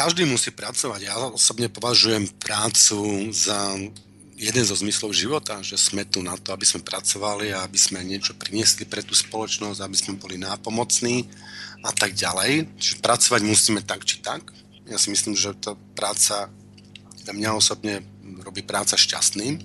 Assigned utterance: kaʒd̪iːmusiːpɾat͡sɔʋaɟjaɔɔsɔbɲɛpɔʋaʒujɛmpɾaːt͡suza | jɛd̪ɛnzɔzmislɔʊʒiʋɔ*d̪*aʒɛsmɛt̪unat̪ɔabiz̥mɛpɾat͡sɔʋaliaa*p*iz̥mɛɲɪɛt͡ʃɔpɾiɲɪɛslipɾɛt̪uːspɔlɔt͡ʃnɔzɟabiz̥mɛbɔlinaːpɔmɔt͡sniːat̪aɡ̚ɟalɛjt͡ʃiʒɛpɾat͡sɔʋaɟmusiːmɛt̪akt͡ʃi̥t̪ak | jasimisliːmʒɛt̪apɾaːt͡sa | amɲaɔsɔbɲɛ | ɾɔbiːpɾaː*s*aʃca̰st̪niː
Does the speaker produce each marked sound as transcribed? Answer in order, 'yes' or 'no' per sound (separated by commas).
no, no, no